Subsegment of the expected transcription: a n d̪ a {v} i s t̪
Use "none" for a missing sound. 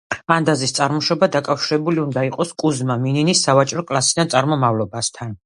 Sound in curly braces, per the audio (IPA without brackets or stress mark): z